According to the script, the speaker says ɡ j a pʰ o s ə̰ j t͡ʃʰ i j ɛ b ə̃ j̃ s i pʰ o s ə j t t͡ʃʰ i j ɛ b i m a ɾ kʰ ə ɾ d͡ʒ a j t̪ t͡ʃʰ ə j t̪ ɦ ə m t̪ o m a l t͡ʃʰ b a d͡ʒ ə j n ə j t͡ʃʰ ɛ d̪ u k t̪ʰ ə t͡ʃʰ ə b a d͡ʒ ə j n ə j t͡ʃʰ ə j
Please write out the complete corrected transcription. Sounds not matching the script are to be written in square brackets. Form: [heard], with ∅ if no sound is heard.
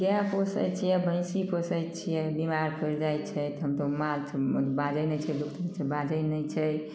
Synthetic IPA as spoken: ɡ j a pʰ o s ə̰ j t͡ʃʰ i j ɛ b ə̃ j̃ s i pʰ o s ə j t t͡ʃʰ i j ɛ b i m a ɾ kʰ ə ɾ d͡ʒ a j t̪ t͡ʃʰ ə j t̪ ɦ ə m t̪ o m a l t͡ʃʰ b a d͡ʒ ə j n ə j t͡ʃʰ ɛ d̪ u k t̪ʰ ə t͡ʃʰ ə b a d͡ʒ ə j n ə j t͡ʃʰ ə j

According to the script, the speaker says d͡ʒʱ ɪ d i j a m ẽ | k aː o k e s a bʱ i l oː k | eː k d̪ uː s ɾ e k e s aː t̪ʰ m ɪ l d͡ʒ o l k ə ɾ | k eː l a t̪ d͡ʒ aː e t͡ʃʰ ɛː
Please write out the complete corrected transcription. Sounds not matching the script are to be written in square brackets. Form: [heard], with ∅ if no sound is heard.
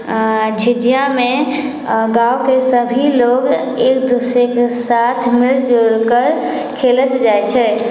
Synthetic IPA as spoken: d͡ʒʱ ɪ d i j a m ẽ | [ɡ] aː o k e s [ə] bʱ i l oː [ɡ] | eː k d̪ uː s ɾ e k e s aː t̪ʰ m ɪ l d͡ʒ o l k ə ɾ | [kʰ] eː l [ə] t̪ d͡ʒ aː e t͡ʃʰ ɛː

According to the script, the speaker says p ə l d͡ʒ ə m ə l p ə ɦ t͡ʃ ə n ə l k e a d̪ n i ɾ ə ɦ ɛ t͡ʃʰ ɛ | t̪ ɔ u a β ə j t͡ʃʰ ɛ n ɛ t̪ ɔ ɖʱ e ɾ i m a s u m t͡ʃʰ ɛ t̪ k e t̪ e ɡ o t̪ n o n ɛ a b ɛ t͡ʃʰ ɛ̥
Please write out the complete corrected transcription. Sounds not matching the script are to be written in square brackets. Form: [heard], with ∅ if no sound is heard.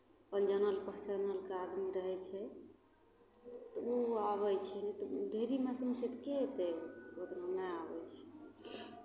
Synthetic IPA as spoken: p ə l d͡ʒ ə [n] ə l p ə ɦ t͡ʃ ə n ə l k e a d̪ [m] i ɾ ə ɦ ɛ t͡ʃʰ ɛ | t̪ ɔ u a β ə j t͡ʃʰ ɛ n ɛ t̪ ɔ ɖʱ e ɾ i m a s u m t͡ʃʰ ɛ t̪ k e t̪ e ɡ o t̪ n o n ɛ a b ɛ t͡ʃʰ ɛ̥

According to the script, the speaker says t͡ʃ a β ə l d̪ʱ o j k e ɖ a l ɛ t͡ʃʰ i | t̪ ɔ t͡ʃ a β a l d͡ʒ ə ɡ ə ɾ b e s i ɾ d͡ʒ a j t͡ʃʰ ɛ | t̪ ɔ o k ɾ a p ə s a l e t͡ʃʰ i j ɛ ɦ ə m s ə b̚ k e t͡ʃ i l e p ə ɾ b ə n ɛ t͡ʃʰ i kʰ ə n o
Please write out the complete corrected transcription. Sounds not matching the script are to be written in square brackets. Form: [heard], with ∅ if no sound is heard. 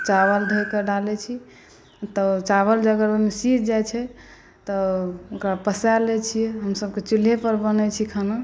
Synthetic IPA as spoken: t͡ʃ a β ə l d̪ʱ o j k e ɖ a l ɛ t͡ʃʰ i | t̪ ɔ t͡ʃ a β [ə] l d͡ʒ ə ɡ ə ɾ [m] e s i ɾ d͡ʒ a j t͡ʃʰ ɛ | t̪ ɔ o k ɾ a p ə s a l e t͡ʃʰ i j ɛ ɦ ə m s ə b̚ k e t͡ʃ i l e p ə ɾ b ə n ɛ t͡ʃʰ i kʰ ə n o

